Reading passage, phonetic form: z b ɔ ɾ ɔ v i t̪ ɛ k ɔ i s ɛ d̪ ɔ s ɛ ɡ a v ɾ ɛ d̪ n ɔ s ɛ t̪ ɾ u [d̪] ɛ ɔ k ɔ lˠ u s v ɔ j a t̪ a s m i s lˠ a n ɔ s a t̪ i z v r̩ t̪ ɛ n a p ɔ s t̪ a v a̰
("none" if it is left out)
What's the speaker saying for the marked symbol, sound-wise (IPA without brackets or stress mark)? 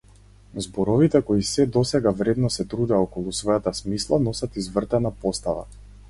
d̪